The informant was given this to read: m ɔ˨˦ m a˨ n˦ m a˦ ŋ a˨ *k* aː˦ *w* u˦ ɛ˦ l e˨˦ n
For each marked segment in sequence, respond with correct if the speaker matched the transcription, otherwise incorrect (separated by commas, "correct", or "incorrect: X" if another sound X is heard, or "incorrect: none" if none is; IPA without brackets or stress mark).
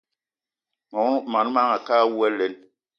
correct, correct